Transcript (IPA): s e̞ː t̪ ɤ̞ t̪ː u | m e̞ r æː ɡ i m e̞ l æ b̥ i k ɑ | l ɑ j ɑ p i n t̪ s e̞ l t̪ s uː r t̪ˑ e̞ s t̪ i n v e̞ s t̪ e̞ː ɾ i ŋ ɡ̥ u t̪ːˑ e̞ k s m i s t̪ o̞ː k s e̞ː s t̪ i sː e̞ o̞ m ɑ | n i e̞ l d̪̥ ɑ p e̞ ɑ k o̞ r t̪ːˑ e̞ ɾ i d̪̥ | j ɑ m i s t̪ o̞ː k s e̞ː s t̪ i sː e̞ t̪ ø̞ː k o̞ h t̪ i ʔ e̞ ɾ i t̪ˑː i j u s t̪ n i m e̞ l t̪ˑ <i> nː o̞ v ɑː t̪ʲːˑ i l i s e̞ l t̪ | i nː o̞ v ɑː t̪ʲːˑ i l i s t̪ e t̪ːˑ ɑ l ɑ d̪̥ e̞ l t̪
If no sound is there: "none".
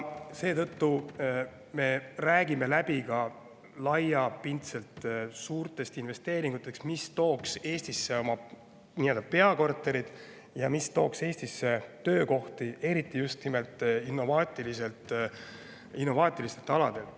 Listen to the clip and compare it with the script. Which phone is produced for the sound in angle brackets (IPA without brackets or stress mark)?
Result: i